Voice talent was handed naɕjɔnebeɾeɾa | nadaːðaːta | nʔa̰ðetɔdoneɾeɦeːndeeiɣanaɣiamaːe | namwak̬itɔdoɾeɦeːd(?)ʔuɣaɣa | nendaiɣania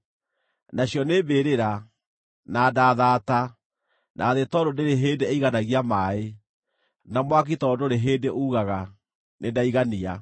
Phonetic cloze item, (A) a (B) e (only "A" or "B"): B